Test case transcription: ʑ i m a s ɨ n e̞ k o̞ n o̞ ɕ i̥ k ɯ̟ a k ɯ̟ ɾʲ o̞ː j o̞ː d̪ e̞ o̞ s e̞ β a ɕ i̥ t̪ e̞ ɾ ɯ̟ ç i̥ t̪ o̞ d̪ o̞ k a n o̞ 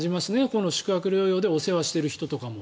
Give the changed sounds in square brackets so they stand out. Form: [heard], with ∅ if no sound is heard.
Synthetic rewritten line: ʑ i m a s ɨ n e̞ k o̞ n o̞ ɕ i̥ k ɯ̟ a k ɯ̟ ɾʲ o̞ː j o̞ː d̪ e̞ o̞ s e̞ β a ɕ i̥ t̪ e̞ ɾ ɯ̟ ç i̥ t̪ o̞ [t̪] o̞ k a [m] o̞